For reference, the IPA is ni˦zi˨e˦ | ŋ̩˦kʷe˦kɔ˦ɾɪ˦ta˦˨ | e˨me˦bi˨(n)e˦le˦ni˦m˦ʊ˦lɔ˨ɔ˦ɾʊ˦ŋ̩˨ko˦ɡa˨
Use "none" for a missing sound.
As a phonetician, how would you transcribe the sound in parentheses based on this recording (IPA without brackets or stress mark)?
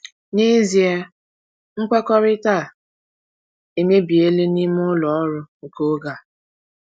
none